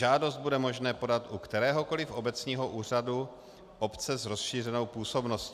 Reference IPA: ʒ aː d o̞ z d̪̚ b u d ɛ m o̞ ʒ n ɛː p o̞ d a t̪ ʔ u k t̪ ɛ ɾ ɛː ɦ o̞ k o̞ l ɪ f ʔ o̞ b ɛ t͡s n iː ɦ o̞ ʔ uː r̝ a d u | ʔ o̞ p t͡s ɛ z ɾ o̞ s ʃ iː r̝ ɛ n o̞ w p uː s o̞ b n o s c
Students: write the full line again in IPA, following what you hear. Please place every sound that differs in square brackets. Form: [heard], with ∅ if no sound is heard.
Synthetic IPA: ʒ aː d o̞ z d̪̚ b u d ɛ m o̞ ʒ n ɛː p o̞ d a t̪ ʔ u k t̪ ɛ ɾ ɛː ɦ o̞ k o̞ l ɪ f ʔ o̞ b ɛ t͡s [ɲ] iː ɦ o̞ ʔ uː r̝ a d u | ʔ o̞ p t͡s ɛ z ɾ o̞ s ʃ iː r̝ ɛ n o̞ w p uː s o̞ b n o s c